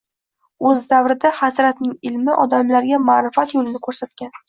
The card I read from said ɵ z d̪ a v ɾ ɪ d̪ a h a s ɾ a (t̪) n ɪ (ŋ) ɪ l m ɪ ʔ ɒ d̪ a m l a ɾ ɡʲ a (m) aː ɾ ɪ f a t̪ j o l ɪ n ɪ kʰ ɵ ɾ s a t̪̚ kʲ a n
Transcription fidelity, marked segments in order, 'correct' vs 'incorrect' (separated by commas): correct, correct, correct